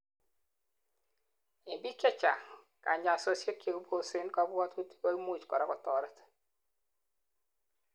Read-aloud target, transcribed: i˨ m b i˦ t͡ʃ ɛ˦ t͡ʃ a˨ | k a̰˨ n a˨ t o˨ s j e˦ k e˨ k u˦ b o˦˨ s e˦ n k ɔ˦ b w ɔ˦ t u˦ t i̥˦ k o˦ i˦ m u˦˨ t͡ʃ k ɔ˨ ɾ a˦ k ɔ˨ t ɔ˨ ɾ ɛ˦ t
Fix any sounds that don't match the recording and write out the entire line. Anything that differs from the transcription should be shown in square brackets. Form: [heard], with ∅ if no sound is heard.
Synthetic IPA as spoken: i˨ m b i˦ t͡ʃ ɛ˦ t͡ʃ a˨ | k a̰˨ [ɲ] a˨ [s] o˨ s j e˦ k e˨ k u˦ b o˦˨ s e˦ n k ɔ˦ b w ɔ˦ t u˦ t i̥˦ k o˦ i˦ m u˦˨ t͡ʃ k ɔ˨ ɾ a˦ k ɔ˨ t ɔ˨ ɾ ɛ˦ t